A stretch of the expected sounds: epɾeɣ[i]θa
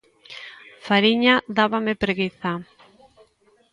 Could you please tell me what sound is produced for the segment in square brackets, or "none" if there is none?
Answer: i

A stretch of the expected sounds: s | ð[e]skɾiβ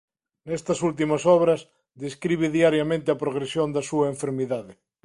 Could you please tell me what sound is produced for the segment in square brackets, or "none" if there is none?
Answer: e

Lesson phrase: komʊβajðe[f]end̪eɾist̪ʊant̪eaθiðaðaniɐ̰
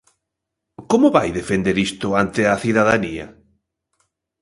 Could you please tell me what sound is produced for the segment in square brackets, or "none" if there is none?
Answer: f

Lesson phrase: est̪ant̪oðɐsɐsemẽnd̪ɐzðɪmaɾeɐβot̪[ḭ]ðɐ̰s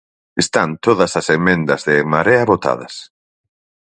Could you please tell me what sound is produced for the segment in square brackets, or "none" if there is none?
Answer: a̰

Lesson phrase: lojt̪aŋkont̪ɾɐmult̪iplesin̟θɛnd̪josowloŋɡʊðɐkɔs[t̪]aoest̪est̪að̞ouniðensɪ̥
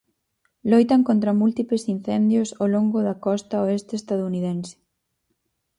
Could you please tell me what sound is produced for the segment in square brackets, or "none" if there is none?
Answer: t̪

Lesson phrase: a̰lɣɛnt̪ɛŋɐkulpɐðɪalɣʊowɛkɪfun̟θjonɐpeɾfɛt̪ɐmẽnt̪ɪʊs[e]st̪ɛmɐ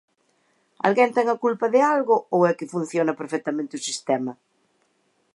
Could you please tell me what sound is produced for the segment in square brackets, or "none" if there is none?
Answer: i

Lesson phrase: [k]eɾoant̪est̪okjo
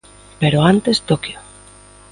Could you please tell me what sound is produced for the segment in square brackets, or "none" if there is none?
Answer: p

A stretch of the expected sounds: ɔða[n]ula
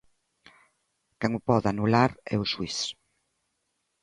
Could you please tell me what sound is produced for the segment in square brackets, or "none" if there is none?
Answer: n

